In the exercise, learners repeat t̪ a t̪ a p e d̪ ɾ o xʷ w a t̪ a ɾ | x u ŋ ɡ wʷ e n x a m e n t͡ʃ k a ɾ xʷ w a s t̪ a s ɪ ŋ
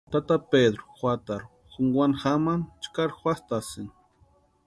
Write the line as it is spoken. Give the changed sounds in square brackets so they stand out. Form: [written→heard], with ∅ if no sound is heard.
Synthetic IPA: t̪ a t̪ a p e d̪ ɾ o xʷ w a t̪ a ɾ | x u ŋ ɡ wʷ [e→a] n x a m [e→a] n t͡ʃ k a ɾ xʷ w a s t̪ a s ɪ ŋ